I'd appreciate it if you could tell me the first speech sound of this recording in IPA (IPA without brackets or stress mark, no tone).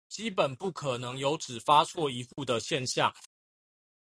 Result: t͡ɕ